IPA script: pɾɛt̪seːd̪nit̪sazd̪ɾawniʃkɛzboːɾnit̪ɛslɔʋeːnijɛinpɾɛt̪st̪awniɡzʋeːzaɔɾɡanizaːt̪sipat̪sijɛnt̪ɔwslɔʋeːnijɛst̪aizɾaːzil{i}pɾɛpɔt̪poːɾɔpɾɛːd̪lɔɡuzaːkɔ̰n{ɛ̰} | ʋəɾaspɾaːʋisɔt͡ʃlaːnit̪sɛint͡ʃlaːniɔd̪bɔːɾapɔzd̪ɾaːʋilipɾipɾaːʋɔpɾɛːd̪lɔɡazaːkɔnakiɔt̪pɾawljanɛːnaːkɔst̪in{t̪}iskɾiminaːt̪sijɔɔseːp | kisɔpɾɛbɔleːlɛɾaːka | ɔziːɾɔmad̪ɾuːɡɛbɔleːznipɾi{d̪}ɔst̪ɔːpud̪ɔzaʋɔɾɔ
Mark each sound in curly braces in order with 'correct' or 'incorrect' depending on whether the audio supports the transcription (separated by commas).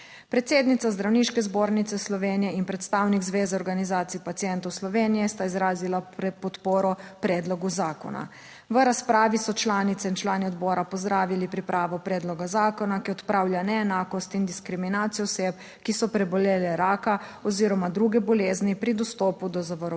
incorrect, incorrect, incorrect, correct